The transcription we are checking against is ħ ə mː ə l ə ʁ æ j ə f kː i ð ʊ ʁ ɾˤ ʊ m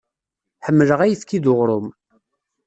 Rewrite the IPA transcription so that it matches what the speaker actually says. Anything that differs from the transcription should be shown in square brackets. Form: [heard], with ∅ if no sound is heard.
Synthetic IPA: ħ ə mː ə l ə ʁ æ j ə [θ] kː i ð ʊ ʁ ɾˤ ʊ m